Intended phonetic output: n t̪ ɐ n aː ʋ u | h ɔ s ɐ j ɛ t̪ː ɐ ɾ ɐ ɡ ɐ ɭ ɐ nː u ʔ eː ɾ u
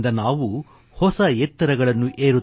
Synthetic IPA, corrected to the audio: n d̪ ɐ n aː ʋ u | h ɔ s ɐ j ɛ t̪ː ɐ ɾ ɐ ɡ ɐ ɭ ɐ nː u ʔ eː ɾ u